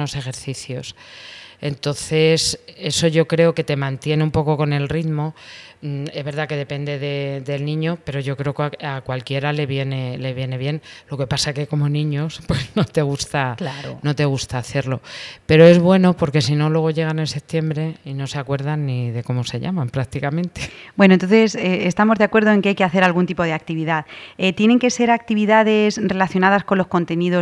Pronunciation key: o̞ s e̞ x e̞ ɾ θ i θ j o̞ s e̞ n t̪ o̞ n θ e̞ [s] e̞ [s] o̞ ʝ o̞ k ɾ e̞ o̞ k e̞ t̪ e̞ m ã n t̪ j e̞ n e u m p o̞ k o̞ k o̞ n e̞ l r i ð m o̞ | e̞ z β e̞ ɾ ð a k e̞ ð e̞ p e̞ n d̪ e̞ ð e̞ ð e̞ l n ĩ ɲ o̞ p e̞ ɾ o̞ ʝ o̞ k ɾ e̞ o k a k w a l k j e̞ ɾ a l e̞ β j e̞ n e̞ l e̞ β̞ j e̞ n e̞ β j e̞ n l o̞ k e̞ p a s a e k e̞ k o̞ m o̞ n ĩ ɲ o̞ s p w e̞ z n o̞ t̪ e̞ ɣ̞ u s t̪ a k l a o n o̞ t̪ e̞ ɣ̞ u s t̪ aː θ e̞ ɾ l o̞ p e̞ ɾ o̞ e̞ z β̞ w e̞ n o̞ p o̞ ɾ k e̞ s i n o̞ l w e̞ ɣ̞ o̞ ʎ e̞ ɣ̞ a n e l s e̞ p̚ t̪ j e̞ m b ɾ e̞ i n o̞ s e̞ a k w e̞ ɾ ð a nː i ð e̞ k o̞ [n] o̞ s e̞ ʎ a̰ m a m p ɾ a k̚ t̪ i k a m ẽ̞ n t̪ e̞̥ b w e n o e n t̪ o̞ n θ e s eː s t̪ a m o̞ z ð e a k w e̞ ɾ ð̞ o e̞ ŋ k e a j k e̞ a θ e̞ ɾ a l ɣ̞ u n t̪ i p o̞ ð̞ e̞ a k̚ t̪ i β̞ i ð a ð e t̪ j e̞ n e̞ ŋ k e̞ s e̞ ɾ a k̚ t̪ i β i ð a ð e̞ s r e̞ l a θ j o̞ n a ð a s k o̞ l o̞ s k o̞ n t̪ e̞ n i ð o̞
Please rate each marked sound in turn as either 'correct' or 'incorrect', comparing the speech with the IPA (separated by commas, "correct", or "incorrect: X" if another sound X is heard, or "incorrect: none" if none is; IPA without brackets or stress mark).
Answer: correct, correct, incorrect: m